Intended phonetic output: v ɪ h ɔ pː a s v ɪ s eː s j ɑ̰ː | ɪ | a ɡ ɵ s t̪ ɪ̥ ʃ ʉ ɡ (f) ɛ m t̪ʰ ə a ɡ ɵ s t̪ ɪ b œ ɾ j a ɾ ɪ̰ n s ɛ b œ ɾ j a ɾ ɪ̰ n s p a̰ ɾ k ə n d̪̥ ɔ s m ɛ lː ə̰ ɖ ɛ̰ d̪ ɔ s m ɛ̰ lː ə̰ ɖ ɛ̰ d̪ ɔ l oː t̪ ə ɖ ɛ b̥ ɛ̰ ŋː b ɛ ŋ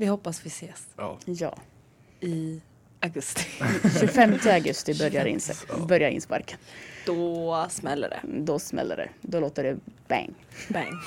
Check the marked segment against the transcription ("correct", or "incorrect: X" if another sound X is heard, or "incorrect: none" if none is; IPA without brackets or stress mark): correct